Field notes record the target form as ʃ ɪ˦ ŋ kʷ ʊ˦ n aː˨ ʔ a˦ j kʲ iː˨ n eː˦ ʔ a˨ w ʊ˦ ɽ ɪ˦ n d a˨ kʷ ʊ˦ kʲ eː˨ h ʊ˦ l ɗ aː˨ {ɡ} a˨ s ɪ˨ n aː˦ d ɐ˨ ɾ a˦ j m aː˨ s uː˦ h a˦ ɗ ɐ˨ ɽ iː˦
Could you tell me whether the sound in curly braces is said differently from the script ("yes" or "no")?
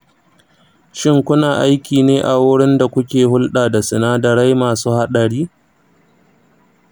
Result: yes